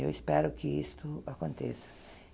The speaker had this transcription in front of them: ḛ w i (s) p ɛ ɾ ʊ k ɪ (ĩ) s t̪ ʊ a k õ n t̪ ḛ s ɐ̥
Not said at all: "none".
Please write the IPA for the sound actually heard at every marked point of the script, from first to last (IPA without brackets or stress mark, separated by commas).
s, i